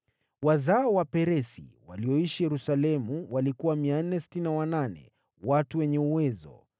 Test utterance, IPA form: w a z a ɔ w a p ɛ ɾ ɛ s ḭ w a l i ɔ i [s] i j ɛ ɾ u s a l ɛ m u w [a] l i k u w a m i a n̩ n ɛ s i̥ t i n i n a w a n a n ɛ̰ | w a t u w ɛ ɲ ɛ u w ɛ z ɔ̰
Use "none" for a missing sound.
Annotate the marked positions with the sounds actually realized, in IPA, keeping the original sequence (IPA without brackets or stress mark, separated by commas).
ʃ, a